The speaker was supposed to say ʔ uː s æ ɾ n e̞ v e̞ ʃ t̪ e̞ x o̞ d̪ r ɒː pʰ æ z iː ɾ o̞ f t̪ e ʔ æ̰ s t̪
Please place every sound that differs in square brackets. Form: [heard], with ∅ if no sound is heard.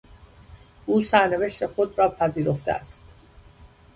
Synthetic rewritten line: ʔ uː s æ ɾ n e̞ v e̞ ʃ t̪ e̞ x o̞ d̪ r ɒː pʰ æ z iː ɾ o̞ f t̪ e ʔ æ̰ s t̪